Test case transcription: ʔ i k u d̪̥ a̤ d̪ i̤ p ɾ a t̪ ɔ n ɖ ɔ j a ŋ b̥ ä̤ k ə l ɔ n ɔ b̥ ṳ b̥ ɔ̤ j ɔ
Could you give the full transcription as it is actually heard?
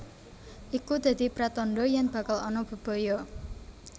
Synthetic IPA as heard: ʔ i k u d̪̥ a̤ d̪ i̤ p ɾ a t̪ ɔ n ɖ ɔ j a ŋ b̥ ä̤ k a l ɔ n ɔ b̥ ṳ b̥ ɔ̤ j ɔ